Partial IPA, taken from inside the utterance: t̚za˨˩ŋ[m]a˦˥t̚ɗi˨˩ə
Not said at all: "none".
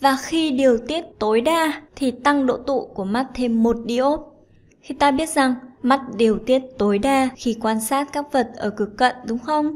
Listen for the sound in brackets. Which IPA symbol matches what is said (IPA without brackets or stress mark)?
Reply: m